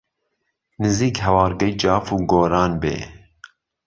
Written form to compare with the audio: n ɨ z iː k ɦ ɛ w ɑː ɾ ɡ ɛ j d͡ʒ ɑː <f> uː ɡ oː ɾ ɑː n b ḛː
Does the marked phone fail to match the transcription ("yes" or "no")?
no